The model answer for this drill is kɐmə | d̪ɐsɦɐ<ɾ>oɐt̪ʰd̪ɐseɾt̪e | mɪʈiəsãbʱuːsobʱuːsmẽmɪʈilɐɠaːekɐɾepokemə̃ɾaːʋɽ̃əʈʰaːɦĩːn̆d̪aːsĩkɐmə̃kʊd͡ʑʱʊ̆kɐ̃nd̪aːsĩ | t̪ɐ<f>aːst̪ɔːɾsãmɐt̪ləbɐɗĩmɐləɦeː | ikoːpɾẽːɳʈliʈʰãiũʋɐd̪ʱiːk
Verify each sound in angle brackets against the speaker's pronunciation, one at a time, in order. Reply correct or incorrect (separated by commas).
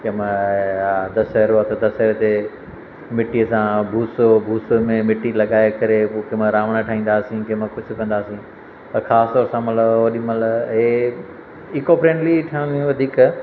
correct, incorrect